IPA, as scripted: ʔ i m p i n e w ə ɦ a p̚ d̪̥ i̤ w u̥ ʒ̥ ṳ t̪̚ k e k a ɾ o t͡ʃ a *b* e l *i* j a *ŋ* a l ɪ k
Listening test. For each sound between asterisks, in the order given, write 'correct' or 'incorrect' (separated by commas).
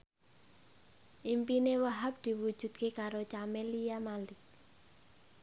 incorrect, correct, incorrect